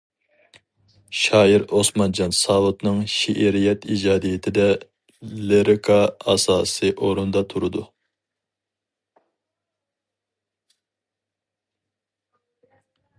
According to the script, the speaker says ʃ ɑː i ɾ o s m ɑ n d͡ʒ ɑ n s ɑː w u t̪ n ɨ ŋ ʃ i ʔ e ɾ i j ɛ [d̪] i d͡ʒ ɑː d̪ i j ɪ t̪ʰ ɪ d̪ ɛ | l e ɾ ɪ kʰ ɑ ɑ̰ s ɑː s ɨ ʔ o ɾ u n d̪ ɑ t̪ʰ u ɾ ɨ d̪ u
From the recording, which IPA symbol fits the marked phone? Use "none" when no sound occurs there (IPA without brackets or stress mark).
t̪